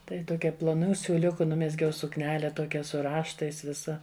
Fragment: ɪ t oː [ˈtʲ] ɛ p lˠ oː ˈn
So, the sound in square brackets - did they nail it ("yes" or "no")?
no